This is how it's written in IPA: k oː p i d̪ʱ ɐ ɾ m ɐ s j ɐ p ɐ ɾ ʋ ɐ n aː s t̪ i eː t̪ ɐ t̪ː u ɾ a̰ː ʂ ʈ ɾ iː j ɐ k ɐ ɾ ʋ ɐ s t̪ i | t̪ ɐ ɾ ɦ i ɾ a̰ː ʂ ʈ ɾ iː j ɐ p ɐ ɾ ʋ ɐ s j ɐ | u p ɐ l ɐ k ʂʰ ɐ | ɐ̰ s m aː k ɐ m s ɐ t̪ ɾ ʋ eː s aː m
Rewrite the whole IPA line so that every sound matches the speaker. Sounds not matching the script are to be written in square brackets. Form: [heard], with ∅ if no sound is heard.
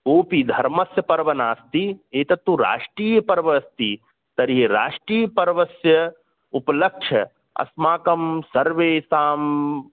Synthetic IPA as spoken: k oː p i d̪ʱ ɐ ɾ m ɐ s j ɐ p ɐ ɾ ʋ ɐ n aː s t̪ i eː t̪ ɐ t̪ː u ɾ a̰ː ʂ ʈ ɾ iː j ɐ [p] ɐ ɾ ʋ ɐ s t̪ i | t̪ ɐ ɾ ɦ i ɾ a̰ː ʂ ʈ ɾ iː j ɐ p ɐ ɾ ʋ ɐ s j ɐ | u p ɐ l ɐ k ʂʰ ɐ | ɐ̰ s m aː k ɐ m s ɐ [∅] ɾ ʋ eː s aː m